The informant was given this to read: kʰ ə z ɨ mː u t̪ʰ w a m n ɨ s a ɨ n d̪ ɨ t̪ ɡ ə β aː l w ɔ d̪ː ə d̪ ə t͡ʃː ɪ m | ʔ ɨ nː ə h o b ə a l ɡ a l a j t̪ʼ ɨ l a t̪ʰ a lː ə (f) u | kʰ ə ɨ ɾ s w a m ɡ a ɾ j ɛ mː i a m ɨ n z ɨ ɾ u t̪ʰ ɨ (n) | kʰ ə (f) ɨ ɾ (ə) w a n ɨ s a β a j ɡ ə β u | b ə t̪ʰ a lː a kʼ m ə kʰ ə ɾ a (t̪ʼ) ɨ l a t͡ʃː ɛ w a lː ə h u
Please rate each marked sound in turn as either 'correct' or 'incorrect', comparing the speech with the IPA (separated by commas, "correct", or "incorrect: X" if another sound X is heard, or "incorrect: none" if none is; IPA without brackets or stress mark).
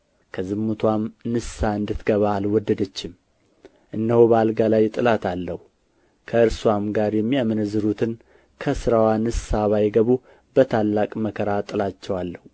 incorrect: h, correct, incorrect: s, incorrect: a, correct